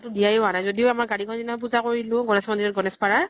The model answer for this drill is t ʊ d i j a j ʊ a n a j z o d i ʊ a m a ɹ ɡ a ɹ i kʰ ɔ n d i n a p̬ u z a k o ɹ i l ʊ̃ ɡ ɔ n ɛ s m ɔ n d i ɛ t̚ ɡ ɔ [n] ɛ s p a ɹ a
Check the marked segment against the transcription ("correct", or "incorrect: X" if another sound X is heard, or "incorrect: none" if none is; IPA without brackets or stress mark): correct